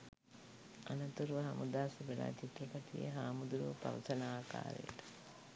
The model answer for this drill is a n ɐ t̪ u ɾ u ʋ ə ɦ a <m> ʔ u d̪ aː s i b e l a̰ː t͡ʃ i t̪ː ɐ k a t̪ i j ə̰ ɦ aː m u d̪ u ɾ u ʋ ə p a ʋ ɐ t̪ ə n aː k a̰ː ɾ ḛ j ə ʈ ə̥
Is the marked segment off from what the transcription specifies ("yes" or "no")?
no